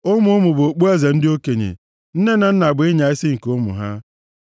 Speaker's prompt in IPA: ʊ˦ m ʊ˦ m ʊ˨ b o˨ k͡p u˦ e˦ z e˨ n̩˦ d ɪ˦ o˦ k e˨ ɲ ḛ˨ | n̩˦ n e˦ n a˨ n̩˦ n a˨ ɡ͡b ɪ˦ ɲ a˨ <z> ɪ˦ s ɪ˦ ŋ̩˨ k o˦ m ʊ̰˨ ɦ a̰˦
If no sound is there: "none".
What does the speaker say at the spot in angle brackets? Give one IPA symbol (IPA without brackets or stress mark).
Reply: none